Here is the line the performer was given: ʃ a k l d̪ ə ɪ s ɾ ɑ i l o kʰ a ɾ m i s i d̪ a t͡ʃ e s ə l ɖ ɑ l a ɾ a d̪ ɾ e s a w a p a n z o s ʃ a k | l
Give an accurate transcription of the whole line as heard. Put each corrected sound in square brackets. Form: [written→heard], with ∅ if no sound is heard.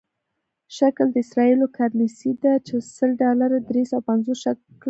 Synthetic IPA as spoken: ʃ a k l d̪ ə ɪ s ɾ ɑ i l o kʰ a ɾ [m→n] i s i d̪ a t͡ʃ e s ə l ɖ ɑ l a ɾ a d̪ ɾ e s a w a p a n z o s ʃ a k | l

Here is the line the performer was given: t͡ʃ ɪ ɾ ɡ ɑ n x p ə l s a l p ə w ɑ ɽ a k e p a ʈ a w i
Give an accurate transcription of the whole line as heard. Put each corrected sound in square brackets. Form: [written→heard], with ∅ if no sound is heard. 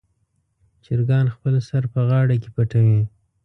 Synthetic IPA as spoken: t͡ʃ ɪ ɾ ɡ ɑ n x p ə l s a [l→ɾ] p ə [w→ɣ] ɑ ɽ a k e p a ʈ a w i

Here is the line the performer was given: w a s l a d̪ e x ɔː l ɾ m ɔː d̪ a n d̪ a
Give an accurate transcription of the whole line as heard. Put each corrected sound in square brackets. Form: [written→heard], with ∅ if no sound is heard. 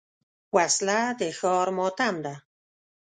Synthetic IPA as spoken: w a s l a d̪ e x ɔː [l→∅] ɾ m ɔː [d̪→t̪] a [n→m] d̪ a

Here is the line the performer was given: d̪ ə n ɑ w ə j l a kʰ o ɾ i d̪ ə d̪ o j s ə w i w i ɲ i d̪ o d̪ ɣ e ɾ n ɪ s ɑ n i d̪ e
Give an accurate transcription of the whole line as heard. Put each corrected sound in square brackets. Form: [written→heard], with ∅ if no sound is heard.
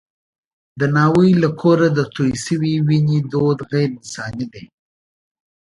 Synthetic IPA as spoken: d̪ ə n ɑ w ə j l a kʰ o ɾ [i→a] d̪ ə [d̪→t̪] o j s ə w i w i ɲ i d̪ o d̪ ɣ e ɾ n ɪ s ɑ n i d̪ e

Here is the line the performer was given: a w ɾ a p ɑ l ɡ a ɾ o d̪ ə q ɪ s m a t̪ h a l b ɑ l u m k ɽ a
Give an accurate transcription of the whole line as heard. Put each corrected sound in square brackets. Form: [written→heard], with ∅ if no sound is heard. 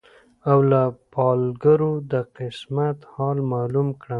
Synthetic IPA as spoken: a w [ɾ→l] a p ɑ l ɡ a ɾ o d̪ ə q ɪ s m a t̪ h [a→ɑ] l [b→m] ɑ l u m k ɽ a

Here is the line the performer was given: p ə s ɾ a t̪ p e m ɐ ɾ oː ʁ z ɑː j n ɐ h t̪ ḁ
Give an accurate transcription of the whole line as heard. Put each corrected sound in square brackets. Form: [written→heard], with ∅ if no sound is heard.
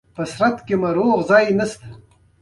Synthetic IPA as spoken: p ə s ɾ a t̪ [p→k] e m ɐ ɾ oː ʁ z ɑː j n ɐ [h→s] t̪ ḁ

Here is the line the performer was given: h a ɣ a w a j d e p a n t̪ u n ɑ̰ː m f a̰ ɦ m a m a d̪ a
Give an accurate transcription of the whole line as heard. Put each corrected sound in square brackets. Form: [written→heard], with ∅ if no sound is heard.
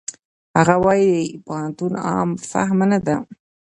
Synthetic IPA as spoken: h a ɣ a w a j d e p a n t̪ u n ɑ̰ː m f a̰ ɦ m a [m→n] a d̪ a

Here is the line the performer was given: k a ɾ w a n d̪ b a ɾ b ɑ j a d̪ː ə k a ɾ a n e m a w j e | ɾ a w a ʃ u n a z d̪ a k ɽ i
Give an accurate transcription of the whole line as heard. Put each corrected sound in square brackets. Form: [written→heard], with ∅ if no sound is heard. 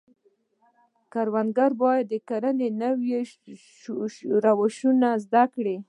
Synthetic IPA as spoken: k a ɾ w a n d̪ [b→ɡ] a ɾ b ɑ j a d̪ː ə k a ɾ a n e [m→n] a w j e | ɾ a w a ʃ u n a z d̪ a k ɽ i

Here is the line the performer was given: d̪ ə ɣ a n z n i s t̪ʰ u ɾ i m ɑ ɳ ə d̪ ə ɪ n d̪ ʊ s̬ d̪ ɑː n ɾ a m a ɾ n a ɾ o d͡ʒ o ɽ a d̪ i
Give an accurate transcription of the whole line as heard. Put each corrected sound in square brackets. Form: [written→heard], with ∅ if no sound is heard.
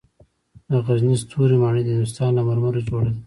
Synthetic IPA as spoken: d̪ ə ɣ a [n→∅] z n i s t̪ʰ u ɾ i m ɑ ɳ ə d̪ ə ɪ n d̪ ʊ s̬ [d̪→t̪] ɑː n [ɾ→l] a m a ɾ [n→m] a ɾ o d͡ʒ o ɽ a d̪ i

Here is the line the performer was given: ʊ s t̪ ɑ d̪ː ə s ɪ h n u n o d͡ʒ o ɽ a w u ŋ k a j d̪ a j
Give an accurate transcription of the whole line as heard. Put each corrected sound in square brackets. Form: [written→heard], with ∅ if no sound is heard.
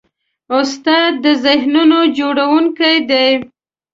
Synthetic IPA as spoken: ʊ s t̪ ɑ d̪ː ə [s→z] ɪ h n u n o d͡ʒ o ɽ a w u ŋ k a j d̪ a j

